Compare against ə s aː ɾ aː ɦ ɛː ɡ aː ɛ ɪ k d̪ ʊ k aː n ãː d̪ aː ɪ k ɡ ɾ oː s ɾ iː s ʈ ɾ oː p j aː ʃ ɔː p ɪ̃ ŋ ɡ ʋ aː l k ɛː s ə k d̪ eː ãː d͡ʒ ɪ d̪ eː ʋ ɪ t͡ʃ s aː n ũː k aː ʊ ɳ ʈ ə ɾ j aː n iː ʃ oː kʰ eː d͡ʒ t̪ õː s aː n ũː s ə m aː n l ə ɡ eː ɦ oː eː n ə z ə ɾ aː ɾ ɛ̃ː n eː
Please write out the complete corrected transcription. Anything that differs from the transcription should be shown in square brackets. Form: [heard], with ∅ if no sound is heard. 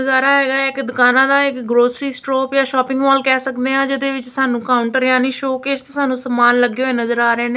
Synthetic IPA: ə [z] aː ɾ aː ɦ ɛː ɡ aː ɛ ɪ k d̪ ʊ k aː n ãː d̪ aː ɪ k ɡ ɾ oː s ɾ iː s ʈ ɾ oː p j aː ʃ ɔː p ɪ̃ ŋ ɡ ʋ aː l k ɛː s ə k d̪ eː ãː d͡ʒ ɪ d̪ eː ʋ ɪ t͡ʃ s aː n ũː k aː ʊ ɳ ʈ ə ɾ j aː n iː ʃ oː [k] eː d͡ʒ t̪ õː s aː n ũː s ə m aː n l ə ɡ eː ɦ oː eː n ə z ə ɾ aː ɾ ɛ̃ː n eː